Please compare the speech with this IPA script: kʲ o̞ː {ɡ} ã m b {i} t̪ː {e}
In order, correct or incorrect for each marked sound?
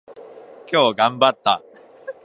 correct, incorrect: a, incorrect: a

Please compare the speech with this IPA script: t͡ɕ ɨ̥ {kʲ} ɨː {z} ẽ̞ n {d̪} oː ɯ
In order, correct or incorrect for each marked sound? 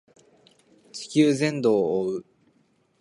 correct, correct, correct

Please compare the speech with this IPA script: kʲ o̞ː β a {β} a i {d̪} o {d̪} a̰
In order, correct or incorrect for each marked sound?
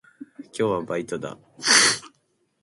incorrect: b, incorrect: t̪, correct

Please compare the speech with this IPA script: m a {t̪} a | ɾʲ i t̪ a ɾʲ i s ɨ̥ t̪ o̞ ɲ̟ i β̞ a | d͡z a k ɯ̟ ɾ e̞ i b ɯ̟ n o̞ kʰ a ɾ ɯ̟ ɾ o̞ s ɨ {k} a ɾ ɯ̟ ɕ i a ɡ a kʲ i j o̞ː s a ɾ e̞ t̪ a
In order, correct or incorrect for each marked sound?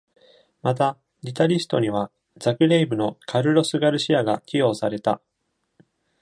correct, incorrect: ɡ

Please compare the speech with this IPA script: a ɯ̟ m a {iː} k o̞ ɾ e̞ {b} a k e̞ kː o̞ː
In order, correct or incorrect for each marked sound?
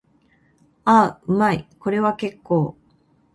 incorrect: i, incorrect: β

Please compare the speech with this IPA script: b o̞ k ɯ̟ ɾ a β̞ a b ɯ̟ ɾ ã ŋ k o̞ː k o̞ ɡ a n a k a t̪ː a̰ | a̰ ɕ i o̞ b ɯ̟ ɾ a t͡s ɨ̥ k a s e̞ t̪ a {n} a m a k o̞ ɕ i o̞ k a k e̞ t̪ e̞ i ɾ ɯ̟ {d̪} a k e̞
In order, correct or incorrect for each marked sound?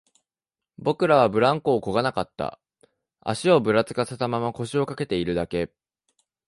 incorrect: m, correct

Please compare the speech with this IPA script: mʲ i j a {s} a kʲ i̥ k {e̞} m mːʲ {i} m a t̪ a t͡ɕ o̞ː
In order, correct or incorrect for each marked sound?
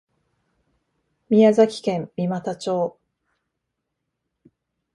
incorrect: z, incorrect: ẽ̞, correct

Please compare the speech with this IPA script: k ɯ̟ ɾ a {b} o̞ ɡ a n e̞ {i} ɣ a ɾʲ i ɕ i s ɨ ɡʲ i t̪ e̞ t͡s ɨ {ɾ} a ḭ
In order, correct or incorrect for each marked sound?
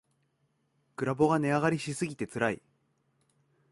correct, incorrect: a, correct

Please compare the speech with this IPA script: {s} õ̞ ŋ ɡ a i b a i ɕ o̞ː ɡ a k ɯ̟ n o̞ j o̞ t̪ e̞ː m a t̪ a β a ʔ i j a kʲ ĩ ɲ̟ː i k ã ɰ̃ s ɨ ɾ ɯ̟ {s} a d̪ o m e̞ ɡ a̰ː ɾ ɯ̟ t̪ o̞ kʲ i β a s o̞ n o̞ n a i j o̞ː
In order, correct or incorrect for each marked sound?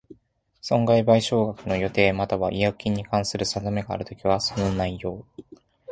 correct, correct

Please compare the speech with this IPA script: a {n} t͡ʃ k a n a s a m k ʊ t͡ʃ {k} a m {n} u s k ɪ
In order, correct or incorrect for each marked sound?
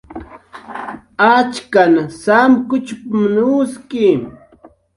incorrect: none, incorrect: p, correct

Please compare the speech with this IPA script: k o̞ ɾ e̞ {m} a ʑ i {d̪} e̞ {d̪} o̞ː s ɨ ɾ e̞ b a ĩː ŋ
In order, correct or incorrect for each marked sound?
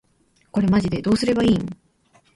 correct, correct, correct

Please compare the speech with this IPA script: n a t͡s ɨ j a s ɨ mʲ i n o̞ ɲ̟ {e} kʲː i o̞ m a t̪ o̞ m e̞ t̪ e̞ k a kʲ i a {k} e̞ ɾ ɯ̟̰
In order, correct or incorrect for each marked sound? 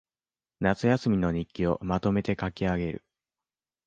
incorrect: i, incorrect: ɡ

